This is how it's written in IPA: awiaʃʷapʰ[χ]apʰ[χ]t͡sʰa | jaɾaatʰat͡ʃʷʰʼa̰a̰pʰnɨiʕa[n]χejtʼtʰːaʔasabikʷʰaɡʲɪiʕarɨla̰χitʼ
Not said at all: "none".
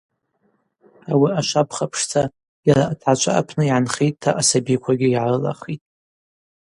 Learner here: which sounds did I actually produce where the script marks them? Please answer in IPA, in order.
χ, ʂ, n

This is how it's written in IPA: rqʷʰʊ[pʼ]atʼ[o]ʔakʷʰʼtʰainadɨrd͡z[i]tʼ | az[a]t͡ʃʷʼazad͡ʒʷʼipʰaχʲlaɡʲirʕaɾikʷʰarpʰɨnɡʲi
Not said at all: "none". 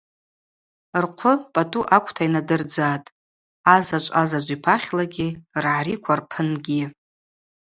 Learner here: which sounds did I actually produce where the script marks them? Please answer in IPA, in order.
pʼ, u, a, a

